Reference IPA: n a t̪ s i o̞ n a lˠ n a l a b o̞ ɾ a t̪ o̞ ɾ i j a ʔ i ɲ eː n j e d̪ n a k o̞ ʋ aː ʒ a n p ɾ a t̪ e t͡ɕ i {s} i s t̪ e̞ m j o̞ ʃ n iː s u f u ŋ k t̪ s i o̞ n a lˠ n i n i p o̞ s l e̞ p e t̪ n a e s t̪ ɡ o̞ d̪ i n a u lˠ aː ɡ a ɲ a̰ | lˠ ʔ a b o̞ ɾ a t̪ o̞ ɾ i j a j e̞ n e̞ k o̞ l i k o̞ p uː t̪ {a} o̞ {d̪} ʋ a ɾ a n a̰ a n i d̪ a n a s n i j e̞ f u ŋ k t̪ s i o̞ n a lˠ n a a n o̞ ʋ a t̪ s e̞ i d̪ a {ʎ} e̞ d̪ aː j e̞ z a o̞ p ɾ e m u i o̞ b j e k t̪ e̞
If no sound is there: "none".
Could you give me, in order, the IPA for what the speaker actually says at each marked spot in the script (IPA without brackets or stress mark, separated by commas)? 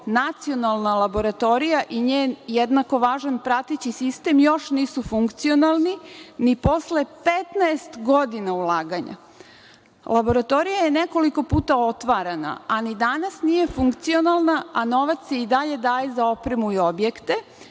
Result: s, a, t̪, ʎ